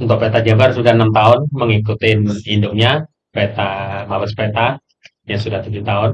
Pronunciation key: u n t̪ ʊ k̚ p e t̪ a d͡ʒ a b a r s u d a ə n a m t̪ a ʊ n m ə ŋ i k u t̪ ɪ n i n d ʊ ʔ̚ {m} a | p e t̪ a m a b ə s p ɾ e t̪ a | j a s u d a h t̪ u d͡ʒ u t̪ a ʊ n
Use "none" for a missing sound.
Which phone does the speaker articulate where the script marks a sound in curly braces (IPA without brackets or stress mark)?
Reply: ɲ